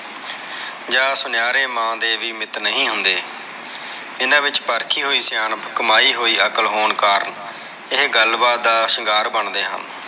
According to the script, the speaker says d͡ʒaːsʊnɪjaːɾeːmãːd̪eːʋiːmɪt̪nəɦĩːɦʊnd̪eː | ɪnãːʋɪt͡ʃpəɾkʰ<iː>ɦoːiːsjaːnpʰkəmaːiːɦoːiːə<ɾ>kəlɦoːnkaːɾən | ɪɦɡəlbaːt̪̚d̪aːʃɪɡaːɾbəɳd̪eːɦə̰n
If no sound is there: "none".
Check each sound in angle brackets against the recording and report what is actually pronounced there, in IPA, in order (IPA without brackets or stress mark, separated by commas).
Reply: iː, none